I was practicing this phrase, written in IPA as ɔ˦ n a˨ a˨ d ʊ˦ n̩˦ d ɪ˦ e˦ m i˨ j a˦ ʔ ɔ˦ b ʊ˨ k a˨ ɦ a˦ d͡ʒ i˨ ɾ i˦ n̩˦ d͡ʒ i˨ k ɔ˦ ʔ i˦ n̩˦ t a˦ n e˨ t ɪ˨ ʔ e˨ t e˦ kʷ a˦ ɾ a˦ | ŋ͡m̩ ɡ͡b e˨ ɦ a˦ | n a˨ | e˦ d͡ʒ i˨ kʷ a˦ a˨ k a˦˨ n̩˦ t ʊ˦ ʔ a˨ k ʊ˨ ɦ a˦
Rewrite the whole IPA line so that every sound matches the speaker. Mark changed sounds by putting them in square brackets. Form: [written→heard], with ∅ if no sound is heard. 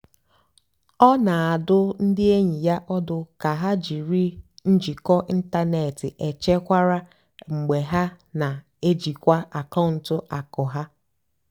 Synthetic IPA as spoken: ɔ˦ n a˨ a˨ d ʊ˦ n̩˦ d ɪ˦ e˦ [m→ɲ] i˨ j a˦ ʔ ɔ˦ [b→d] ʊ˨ k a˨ ɦ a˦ d͡ʒ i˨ ɾ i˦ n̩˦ d͡ʒ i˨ k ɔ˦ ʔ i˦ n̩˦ t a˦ n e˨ t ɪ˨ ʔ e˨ [t→t͡ʃ] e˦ kʷ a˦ ɾ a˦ | ŋ͡m̩ ɡ͡b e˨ ɦ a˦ | n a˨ | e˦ d͡ʒ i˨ kʷ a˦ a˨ k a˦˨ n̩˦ t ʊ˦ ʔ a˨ k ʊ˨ ɦ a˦